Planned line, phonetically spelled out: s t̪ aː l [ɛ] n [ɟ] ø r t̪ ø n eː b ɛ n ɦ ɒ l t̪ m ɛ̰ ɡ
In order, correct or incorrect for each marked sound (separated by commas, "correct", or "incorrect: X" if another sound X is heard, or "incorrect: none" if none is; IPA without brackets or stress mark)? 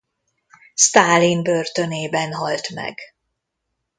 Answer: incorrect: i, incorrect: b